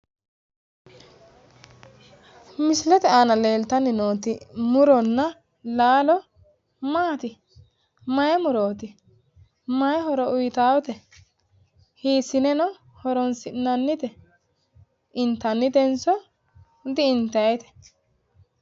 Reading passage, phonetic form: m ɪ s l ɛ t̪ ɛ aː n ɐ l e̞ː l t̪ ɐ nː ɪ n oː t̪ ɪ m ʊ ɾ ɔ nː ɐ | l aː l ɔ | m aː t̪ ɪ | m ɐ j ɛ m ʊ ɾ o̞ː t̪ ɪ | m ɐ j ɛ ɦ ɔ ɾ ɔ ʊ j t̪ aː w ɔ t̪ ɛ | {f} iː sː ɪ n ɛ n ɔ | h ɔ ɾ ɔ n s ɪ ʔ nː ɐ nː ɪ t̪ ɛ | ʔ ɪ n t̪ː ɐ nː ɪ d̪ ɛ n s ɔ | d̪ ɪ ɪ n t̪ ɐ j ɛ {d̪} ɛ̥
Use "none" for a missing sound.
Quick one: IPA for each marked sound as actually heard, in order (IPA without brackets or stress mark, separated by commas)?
h, t̪